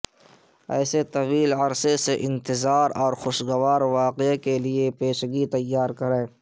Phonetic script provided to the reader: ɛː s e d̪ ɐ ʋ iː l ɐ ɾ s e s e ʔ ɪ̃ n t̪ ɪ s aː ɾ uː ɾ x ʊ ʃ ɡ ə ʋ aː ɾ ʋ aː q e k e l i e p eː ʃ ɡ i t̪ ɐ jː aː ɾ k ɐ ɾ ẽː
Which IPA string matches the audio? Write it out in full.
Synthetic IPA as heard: ɛː s e t̪ ɐ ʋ iː l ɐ ɾ s e s e ʔ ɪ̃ n t̪ ɪ z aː ɾ ɔː ɾ x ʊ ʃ ɡ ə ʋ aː ɾ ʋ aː q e k e l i e p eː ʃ ɡ i t̪ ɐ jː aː ɾ k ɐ ɾ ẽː

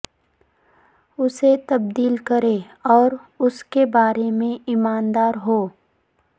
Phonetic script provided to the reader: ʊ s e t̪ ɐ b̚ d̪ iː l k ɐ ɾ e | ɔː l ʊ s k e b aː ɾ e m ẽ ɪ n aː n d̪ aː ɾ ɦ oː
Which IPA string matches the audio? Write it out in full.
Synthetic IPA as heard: ʊ s e t̪ ɐ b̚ d̪ iː l k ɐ ɾ e | ɔː ɾ ʊ s k e b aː ɾ e m ẽ ɪ m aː n d̪ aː ɾ ɦ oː

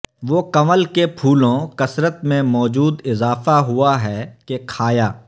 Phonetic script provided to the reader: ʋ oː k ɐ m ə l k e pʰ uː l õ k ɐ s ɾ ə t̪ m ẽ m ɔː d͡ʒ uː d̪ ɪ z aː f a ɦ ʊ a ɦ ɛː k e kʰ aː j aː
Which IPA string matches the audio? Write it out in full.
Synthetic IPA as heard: ʋ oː k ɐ m ə l k e pʰ uː l õ k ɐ s ɾ ə t̪ m ẽ m ɔː d͡ʒ uː d̪ ɪ z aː f a ɦ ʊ a ɦ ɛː k e kʰ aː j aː

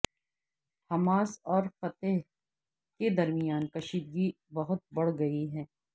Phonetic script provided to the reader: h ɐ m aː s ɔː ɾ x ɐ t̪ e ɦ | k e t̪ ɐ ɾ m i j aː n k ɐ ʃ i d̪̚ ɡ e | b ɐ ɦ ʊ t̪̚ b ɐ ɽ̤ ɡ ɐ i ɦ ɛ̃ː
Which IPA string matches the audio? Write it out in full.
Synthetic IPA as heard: h ɐ m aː s ɔː ɾ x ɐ t̪ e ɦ | k e d̪ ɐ ɾ m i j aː n k ɐ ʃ iː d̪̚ ɡ i | b ɐ ɦ ʊ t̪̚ b ɐ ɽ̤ ɡ ɐ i ɦ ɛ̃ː

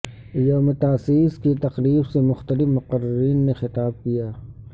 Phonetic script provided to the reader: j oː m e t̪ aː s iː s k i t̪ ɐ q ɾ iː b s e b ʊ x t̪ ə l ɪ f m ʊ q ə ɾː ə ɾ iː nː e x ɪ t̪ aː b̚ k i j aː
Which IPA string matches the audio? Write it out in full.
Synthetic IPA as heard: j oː m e t̪ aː s iː s k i t̪ ɐ q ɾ iː b s e m ʊ x t̪ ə l ɪ f m ʊ q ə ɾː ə ɾ iː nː e x ɪ t̪ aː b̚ k i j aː

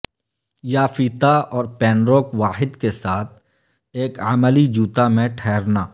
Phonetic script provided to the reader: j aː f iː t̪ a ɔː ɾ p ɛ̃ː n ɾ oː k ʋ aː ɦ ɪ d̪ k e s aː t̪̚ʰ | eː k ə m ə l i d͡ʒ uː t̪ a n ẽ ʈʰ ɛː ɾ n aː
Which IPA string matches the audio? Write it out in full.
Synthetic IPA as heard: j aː f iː t̪ a ɔː ɾ p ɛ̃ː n ɾ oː k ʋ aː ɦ ɪ d̪ k e s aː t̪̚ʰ | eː k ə m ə l i d͡ʒ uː t̪ a m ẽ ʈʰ ɛː ɾ n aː

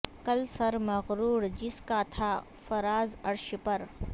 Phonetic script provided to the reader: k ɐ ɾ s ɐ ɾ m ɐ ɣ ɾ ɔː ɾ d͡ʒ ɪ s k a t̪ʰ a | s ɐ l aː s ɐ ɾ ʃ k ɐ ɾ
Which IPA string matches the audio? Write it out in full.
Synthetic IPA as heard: k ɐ l s ɐ ɾ m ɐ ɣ ɾ uː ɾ d͡ʒ ɪ s k a t̪ʰ a | f ɐ ɾ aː z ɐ ɾ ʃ p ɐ ɾ

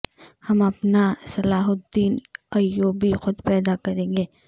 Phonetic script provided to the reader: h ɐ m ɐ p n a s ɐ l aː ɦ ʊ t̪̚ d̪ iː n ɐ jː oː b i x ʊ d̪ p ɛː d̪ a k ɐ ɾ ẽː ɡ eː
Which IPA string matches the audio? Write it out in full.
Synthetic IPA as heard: h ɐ m ɐ p n a s ɐ l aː ɦ ʊ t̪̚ d̪ iː n ɐ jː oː b i x ʊ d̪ p ɛː d̪ a k ɐ ɾ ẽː ɡ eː

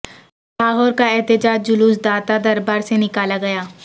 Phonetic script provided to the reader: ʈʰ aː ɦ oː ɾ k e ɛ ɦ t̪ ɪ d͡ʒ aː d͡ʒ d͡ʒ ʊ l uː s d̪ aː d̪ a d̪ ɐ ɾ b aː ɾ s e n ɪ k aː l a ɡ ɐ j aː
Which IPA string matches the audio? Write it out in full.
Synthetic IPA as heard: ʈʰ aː ɦ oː ɾ k a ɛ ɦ t̪ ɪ d͡ʒ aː d͡ʒ d͡ʒ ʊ l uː s d̪ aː t̪ a d̪ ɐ ɾ b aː ɾ s e n ɪ k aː l a ɡ ɐ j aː

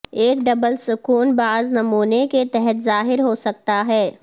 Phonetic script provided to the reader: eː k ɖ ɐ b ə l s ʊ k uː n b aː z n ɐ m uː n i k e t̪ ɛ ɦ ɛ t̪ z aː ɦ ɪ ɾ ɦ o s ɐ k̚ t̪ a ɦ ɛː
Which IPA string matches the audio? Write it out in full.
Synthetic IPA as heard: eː k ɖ ɐ b ə l s ʊ k uː n b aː z n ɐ m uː n e k e t̪ ɛ ɦ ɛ t̪ z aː ɦ ɪ ɾ ɦ o s ɐ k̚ t̪ a ɦ ɛː

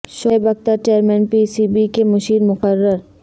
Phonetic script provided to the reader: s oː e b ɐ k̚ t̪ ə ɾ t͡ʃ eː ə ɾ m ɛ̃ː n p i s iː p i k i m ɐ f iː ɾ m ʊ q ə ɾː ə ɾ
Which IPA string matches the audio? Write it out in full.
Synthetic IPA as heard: ʃ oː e b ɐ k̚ t̪ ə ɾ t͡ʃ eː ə ɾ m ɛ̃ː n p i s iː b i k e m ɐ ʃ iː ɾ m ʊ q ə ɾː ə ɾ

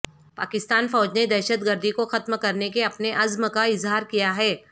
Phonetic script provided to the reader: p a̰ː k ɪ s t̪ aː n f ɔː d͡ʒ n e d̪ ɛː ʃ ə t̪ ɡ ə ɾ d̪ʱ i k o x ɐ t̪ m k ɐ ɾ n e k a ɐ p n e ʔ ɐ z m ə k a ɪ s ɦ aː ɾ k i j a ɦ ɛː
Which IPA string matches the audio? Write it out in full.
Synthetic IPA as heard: p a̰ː k ɪ s t̪ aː n f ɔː d͡ʒ n e d̪ ɛː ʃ ə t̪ ɡ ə ɾ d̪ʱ i k o x ɐ t̪ m k ɐ ɾ n e k e ɐ p n e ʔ ɐ z m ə k a ɪ z ɦ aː ɾ k i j a ɦ ɛː

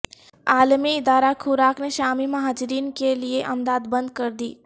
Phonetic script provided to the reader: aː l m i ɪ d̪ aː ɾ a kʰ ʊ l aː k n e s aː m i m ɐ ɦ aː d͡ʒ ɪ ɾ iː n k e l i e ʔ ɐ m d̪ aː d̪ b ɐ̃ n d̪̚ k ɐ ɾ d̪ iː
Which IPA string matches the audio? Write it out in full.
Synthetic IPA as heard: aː l m i ɪ d̪ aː ɾ a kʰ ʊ ɾ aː k n e ʃ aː m i m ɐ ɦ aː d͡ʒ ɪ ɾ iː n k e l i e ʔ ɐ m d̪ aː d̪ b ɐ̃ n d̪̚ k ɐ ɾ d̪ iː

